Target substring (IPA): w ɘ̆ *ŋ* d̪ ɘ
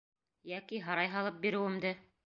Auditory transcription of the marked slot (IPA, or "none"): m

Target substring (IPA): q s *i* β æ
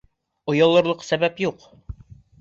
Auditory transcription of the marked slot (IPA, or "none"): æ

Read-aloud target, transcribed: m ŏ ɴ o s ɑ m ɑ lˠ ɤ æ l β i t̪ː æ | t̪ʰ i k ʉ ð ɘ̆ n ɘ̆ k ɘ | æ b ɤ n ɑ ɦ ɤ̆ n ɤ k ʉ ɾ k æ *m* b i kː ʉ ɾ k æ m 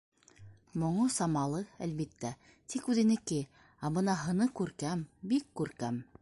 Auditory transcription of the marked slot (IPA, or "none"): m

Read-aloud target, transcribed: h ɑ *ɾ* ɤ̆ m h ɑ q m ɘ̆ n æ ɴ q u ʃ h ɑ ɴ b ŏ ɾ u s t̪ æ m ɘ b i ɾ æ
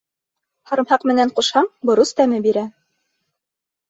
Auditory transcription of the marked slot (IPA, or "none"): ɾ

